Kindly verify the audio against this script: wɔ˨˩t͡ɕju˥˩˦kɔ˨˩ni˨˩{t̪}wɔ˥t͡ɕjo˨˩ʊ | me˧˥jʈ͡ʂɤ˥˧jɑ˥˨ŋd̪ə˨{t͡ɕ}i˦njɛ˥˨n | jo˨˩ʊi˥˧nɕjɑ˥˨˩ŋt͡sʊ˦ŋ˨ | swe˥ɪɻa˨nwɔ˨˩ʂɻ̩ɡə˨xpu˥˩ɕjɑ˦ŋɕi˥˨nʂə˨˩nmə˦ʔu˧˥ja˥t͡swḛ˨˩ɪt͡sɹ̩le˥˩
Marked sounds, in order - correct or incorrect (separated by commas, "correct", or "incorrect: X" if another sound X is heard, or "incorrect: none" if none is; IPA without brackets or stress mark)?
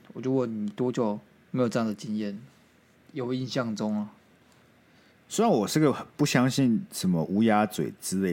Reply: correct, correct